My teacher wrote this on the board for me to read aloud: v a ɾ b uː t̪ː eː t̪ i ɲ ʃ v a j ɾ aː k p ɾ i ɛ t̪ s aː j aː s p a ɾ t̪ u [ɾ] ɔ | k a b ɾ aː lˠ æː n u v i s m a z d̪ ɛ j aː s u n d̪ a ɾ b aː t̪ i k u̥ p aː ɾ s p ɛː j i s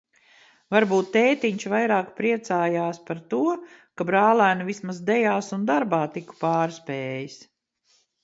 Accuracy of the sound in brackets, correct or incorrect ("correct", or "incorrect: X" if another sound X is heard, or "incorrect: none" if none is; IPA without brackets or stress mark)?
incorrect: none